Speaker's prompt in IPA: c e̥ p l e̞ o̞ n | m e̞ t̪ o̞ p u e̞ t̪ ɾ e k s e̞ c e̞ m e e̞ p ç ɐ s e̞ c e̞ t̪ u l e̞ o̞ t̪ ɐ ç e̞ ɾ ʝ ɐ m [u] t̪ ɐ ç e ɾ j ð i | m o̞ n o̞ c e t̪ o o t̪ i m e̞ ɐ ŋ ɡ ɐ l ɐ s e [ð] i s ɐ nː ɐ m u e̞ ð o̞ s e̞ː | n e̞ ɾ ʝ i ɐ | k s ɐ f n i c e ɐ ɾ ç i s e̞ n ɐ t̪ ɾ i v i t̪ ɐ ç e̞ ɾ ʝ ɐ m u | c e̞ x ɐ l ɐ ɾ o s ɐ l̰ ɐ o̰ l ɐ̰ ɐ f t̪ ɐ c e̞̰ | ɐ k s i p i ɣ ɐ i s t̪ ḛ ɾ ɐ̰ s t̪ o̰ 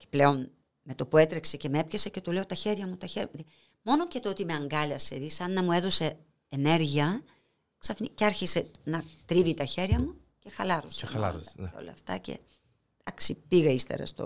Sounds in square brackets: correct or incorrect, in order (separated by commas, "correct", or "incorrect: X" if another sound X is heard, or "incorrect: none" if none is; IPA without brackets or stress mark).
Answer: correct, correct